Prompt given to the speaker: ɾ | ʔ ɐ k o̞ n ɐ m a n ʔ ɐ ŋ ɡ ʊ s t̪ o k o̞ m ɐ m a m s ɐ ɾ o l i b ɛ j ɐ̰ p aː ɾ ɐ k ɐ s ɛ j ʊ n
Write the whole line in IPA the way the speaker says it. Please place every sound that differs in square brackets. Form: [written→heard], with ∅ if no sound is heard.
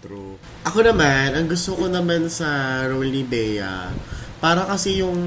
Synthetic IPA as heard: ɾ | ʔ ɐ k o̞ n ɐ m a n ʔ ɐ ŋ ɡ ʊ s t̪ o k o̞ [m→n] ɐ m a [m→n] s ɐ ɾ o l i b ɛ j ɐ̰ p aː ɾ ɐ k ɐ s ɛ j ʊ [n→ŋ]